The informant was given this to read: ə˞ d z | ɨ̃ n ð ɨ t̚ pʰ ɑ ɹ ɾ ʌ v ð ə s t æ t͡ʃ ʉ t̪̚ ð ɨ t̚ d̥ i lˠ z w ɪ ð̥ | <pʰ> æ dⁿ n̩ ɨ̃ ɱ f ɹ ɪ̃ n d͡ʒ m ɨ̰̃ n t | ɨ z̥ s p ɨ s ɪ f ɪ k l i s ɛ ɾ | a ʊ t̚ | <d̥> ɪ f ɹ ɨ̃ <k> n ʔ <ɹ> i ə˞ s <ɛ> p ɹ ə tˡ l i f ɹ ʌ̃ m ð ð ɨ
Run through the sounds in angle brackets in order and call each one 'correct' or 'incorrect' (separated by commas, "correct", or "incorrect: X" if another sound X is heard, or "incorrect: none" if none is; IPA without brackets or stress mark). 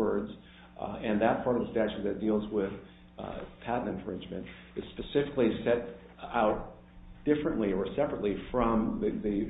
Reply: correct, correct, incorrect: none, incorrect: l, correct